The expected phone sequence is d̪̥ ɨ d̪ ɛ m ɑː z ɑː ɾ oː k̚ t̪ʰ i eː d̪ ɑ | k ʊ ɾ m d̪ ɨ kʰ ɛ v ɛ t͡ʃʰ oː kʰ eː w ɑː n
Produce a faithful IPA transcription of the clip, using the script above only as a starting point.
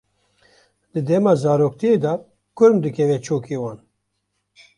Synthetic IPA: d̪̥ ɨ d̪ ɛ m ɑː z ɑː ɾ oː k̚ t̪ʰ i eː d̪ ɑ | k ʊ ɾ m d̪ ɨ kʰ ɛ v ɛ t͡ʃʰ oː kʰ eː w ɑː n

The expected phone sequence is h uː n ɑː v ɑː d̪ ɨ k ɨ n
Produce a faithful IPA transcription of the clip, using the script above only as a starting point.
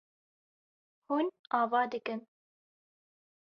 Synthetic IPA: h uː n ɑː v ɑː d̪ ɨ k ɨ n

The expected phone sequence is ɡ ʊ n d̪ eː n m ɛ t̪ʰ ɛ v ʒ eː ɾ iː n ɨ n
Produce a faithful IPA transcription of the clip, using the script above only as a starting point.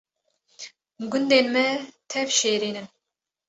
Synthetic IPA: ɡ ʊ n d̪ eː n m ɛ t̪ʰ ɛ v ʃ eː ɾ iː n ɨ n

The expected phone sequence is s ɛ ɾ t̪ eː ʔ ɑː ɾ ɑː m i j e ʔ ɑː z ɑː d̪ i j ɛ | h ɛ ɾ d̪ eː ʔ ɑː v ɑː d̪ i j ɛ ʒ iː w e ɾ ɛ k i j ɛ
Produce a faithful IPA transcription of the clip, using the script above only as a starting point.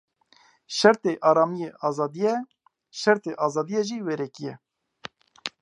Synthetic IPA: ʃ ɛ ɾ t̪ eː ʔ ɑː ɾ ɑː m i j e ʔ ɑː z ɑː d̪ i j ɛ | ʃ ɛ ɾ t̪ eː ʔ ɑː z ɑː d̪ i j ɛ ʒ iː w e ɾ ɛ k i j ɛ

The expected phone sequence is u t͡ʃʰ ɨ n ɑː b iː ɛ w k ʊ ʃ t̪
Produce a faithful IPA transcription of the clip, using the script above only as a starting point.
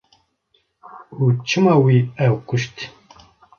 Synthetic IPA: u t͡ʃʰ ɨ m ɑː w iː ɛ w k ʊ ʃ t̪

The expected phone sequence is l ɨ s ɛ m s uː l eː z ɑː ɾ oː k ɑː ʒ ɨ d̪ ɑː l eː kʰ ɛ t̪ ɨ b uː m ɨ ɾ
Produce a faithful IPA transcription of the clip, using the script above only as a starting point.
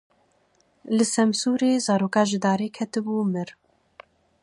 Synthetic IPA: l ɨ s ɛ m s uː ɾ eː z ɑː ɾ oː k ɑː ʒ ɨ d̪ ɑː ɾ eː kʰ ɛ t̪ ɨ b uː m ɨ ɾ

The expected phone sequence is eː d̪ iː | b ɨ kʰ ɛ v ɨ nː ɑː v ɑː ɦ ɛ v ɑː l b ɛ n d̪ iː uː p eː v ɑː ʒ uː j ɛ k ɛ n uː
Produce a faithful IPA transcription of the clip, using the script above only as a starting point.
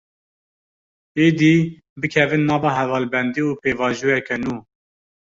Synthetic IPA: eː d̪ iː | b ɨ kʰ ɛ v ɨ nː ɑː v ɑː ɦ ɛ v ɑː l b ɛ n d̪ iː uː p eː v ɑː ʒ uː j ɛ k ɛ n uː

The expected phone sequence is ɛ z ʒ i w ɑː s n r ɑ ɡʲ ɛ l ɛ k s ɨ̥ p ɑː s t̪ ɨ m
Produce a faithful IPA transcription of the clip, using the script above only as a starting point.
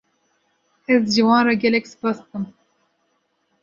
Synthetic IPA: ɛ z ʒ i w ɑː n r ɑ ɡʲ ɛ l ɛ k s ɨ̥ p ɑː s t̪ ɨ m

